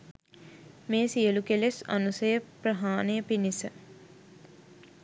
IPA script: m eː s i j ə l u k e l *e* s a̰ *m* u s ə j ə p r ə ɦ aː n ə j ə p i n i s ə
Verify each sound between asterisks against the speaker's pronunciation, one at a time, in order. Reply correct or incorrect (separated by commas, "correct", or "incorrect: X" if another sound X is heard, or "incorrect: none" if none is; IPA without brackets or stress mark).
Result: correct, incorrect: n